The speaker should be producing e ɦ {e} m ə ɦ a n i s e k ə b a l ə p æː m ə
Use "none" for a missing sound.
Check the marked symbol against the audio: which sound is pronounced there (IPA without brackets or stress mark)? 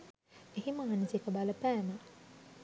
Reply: i